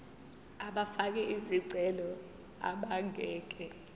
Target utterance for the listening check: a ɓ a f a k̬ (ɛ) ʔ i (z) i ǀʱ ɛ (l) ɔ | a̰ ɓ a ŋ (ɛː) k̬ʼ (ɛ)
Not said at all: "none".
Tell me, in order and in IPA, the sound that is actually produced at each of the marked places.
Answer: ɛ, z, l, ɛː, ɛ

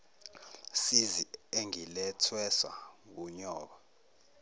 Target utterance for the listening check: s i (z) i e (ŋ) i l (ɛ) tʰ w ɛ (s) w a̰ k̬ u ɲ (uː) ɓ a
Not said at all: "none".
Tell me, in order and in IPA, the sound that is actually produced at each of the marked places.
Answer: z, ŋ, ɛ, s, ɔː

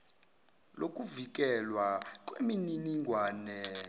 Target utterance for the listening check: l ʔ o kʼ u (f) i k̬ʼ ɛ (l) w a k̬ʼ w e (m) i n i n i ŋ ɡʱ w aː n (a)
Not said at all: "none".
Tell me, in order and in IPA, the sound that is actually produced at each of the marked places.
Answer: v, l, m, ɛ

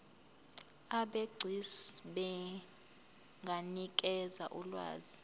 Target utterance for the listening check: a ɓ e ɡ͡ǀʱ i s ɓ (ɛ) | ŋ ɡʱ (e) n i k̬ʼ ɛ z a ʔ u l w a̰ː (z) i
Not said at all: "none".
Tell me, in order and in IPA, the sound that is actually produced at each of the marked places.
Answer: ɛ, a, z

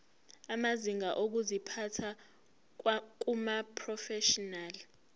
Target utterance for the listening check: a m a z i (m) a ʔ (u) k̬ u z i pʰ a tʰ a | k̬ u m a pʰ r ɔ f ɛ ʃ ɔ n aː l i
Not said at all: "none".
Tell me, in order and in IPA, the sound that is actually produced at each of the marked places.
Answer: ŋ, o

